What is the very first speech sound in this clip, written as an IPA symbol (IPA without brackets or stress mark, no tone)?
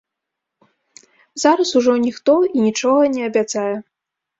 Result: z